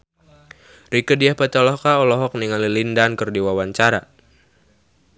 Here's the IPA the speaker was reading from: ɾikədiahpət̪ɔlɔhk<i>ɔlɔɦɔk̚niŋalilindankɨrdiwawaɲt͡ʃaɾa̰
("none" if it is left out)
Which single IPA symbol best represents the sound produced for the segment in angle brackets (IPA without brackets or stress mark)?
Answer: a